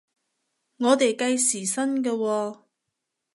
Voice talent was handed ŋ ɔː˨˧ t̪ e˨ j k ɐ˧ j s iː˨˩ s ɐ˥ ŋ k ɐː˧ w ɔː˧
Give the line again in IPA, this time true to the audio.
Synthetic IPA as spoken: ŋ ɔː˨˧ t̪ e˨ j k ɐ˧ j s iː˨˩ s ɐ˥ n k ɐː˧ w ɔː˧